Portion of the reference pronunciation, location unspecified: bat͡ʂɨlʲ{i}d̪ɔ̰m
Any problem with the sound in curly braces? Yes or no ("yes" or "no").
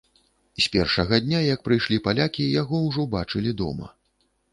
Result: no